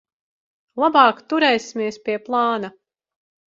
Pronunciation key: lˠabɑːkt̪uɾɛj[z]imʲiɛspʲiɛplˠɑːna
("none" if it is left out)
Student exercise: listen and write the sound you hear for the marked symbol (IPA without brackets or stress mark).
s